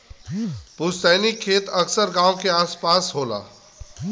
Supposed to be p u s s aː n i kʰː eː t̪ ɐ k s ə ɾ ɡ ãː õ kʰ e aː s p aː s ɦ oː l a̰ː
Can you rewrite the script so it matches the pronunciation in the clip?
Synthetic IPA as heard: p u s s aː n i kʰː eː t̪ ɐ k s ə ɾ ɡ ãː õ k e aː s p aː s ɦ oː l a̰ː